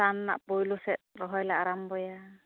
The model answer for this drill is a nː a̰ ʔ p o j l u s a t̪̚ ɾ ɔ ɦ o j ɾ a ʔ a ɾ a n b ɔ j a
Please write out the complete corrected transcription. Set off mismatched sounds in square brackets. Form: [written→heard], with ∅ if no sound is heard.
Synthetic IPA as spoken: a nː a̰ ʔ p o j l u s [a→ɛ] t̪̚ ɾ ɔ ɦ [o→ɔ] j [ɾ→l] a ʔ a ɾ a [n→m] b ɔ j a